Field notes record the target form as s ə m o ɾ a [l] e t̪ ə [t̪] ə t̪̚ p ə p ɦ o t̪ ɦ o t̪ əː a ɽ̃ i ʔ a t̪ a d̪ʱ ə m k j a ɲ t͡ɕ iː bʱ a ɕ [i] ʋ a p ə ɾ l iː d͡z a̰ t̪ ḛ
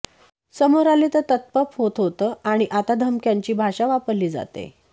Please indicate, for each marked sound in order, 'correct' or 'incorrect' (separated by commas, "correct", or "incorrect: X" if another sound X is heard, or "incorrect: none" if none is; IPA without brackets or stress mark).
correct, correct, incorrect: a